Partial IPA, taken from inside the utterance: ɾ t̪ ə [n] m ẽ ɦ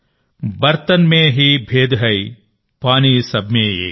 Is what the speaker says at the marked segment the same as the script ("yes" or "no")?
yes